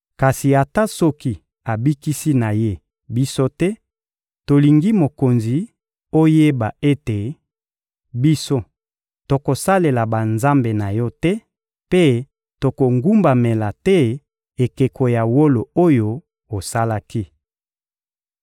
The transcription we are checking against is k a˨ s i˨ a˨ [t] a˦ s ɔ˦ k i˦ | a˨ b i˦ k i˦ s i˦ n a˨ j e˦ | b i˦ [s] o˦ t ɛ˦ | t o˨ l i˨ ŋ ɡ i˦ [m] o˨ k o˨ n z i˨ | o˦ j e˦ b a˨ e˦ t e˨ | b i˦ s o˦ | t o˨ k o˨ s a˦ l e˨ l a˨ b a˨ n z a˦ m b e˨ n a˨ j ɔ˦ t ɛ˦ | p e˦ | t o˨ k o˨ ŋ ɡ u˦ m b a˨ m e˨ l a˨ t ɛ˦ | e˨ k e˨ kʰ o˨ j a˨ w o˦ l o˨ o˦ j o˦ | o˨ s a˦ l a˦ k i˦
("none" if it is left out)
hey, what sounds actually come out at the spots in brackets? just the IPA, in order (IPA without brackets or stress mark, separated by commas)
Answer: t, s, m